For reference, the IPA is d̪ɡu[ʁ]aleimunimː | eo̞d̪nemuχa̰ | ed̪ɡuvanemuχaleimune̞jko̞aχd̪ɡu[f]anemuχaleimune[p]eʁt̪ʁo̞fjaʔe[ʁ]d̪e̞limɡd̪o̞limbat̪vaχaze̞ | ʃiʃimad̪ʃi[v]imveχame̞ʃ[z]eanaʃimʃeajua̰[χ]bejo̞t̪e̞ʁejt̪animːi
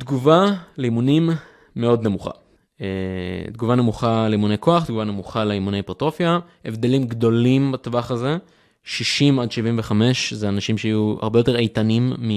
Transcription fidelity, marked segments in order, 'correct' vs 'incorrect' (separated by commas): incorrect, incorrect, correct, incorrect, correct, correct, incorrect